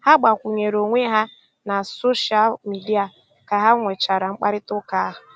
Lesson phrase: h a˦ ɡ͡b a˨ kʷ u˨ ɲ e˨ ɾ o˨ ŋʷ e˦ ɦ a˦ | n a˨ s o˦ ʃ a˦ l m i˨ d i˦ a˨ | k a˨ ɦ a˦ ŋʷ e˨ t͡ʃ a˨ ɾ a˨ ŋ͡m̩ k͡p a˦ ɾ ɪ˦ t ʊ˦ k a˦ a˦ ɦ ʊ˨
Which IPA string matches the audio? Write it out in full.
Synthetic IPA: h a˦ ɡ͡b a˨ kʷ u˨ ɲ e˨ ɾ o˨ ŋʷ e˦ ɦ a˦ | n a˨ s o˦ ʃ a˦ l m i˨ d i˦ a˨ | k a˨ ɦ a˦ ŋʷ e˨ t͡ʃ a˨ ɾ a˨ ŋ͡m̩ k͡p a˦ ɾ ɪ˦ t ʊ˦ k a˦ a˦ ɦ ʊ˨